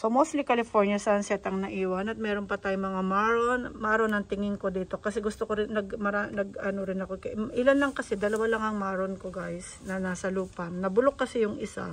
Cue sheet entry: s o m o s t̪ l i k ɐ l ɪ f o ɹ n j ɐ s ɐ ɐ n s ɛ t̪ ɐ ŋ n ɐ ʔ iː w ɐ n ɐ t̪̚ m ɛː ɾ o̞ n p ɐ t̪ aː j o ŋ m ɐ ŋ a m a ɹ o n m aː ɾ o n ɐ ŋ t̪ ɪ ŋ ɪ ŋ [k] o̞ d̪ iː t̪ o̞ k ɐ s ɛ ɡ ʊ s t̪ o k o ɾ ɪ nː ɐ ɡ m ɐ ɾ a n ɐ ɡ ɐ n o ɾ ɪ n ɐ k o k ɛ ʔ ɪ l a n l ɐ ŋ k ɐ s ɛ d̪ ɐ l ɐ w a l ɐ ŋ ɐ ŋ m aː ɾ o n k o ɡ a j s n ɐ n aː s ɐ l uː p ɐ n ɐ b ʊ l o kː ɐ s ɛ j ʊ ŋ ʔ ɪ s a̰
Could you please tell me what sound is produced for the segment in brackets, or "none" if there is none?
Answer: k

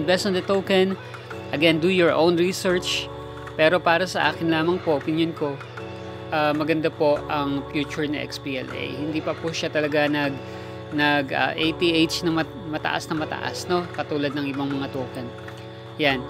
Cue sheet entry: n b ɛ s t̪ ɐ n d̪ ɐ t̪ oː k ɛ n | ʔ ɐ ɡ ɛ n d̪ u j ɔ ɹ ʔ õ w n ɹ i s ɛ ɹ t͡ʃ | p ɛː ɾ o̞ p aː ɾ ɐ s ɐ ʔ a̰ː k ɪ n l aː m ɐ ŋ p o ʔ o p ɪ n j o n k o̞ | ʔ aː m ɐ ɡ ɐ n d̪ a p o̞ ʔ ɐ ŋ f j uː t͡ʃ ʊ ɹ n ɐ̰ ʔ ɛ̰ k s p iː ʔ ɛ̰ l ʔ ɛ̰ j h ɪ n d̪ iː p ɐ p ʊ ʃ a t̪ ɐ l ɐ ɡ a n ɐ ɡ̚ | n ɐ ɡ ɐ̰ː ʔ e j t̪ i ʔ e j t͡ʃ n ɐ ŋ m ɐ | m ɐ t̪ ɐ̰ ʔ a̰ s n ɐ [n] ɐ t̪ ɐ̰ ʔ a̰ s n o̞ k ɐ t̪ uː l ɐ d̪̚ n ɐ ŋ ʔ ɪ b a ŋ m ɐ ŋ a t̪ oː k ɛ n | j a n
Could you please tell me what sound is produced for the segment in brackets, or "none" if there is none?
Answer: m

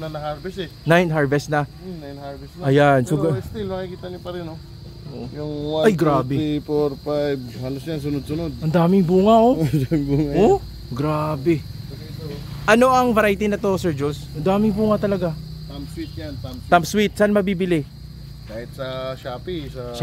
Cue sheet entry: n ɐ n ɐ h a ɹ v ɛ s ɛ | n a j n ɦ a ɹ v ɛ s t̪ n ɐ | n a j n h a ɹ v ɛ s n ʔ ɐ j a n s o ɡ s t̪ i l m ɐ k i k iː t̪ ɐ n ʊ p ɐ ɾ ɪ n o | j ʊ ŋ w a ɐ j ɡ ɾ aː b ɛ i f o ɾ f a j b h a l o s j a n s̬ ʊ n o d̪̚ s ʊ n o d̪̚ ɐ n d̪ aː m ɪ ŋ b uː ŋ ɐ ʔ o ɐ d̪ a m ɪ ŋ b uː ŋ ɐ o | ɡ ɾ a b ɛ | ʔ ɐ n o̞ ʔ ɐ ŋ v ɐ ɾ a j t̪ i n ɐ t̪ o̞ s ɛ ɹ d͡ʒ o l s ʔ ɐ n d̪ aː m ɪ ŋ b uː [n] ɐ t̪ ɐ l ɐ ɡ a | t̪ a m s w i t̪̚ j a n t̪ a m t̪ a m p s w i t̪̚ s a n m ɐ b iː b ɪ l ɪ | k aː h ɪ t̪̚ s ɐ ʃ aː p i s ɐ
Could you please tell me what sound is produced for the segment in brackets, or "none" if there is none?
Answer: ŋ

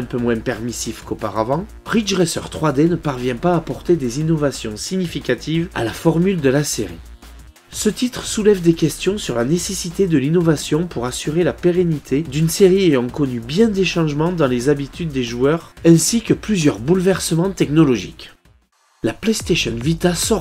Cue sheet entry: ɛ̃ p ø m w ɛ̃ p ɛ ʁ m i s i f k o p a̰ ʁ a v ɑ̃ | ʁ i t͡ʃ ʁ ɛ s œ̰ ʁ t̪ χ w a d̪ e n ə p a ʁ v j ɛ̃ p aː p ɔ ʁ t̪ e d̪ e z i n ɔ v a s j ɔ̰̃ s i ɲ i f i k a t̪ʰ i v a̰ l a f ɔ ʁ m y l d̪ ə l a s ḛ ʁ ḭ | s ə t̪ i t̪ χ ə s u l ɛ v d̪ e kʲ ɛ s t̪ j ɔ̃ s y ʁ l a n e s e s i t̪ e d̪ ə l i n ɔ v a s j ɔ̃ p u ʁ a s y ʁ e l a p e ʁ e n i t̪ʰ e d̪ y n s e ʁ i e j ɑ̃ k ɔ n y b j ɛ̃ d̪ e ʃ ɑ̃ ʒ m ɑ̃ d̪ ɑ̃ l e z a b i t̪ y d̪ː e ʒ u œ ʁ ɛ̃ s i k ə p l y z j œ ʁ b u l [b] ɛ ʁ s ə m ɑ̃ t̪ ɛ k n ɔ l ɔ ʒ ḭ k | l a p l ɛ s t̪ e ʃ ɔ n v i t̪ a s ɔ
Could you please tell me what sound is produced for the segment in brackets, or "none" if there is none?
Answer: v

